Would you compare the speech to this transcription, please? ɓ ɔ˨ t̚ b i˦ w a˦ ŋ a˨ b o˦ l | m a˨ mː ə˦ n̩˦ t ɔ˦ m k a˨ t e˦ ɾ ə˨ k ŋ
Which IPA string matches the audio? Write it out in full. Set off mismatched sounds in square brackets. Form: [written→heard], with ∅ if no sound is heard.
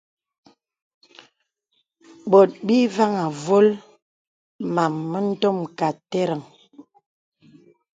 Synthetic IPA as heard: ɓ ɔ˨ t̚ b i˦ [w→v] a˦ ŋ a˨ [b→v] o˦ l | m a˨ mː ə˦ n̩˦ t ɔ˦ m k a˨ t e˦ ɾ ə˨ [k→∅] ŋ